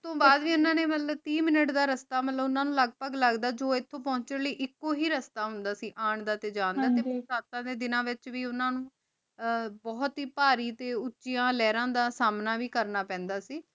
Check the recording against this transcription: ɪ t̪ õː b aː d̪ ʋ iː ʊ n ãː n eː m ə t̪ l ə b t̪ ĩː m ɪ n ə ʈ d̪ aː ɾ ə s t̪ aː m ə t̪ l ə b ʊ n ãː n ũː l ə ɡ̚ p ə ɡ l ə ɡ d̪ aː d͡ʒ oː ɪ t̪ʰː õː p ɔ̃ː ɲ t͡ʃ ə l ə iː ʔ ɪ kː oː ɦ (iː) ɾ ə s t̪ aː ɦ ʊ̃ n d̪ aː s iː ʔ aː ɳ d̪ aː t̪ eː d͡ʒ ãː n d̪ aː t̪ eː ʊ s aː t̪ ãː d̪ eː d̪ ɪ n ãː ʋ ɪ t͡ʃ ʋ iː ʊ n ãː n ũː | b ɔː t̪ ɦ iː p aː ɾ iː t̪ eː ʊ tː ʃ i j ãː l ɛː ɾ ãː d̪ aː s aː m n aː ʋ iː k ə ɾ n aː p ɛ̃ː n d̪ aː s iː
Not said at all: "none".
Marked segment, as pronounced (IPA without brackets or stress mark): iː